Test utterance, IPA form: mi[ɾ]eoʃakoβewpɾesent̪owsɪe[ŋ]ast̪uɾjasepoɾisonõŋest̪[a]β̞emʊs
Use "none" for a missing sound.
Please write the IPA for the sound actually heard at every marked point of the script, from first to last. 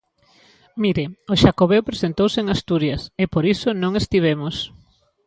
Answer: ɾ, ŋ, i

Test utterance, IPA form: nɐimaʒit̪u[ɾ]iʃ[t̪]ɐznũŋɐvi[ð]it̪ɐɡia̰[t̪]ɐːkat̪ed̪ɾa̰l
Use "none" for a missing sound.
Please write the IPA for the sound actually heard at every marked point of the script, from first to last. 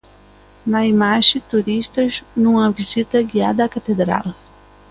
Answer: ɾ, t̪, z, d̪

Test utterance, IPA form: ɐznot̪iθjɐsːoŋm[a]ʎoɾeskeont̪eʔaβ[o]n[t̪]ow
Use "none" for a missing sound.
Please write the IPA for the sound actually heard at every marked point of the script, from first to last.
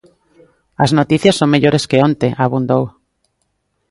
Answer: e, u, d̪

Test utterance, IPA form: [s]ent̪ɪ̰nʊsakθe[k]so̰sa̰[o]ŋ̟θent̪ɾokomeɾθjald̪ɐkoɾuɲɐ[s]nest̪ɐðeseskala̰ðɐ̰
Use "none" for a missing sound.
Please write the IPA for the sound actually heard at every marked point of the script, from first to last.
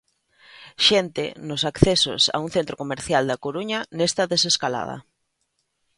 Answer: ʃ, none, u, none

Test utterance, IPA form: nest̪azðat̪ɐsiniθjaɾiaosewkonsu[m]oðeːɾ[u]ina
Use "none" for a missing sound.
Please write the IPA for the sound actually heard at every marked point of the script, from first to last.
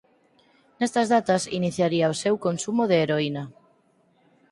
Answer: m, o

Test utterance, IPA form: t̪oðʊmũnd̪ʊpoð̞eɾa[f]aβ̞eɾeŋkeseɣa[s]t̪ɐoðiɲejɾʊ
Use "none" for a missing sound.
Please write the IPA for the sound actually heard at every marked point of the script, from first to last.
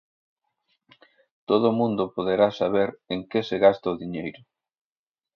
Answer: s, s

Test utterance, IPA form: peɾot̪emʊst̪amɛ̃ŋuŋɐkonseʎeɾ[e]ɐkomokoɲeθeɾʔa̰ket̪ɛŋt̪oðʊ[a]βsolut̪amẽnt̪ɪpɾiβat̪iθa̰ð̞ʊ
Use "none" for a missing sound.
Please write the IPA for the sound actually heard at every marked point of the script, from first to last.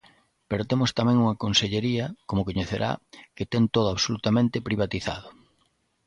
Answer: i, a

